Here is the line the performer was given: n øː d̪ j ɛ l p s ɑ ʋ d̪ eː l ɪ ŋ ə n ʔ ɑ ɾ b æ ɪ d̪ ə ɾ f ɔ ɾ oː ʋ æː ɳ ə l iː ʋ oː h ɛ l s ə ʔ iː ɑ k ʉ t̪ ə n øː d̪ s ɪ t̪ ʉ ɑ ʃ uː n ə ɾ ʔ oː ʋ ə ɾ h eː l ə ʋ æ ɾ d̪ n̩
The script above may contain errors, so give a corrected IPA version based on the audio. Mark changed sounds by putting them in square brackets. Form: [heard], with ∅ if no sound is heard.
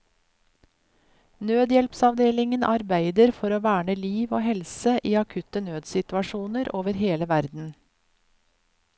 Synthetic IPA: n øː d̪ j ɛ l p s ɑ ʋ d̪ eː l ɪ ŋ ə n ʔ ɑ ɾ b æ ɪ d̪ ə ɾ f ɔ ɾ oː ʋ æː ɳ ə l iː ʋ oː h ɛ l s ə ʔ iː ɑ [kʰ] ʉ t̪ ə n øː d̪ s ɪ t̪ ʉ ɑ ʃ uː n ə ɾ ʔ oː ʋ ə ɾ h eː l ə ʋ æ ɾ d̪ n̩